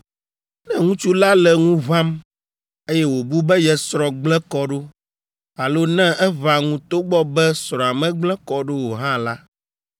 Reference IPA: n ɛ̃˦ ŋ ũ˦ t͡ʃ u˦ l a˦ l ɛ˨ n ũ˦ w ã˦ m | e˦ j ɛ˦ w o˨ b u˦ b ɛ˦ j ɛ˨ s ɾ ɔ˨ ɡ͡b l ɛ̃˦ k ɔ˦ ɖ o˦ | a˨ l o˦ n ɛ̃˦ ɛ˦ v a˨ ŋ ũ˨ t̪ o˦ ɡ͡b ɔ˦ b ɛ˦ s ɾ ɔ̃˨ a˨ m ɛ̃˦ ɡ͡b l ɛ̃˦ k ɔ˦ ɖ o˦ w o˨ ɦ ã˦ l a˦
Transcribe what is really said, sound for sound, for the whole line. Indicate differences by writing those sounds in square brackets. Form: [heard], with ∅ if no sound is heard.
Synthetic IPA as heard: n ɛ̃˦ ŋ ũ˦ t͡ʃ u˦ l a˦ l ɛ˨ [ŋ] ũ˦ [v] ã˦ m | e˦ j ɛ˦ w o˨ b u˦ b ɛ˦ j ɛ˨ s ɾ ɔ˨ ɡ͡b l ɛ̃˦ k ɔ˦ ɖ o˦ | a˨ l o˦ n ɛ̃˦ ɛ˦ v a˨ ŋ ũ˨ t̪ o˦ ɡ͡b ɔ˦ b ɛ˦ s ɾ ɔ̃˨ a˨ m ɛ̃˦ ɡ͡b l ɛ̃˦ k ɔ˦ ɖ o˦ w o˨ ɦ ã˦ l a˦